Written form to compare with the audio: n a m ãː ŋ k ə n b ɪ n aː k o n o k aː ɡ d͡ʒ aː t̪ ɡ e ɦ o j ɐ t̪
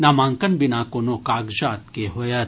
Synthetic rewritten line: n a m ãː ŋ k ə n b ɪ n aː k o n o k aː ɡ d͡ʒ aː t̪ k e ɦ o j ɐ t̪